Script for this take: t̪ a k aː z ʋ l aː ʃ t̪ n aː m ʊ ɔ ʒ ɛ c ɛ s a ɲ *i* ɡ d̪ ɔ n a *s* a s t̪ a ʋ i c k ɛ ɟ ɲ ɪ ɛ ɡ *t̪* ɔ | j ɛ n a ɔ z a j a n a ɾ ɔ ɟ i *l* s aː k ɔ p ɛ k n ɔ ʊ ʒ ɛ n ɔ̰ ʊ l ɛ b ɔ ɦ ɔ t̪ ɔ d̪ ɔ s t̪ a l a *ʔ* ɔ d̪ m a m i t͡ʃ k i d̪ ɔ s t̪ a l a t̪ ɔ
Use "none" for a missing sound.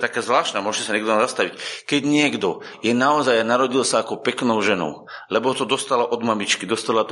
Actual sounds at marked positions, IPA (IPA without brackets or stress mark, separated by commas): ɛ, z, d̪, l, ʔ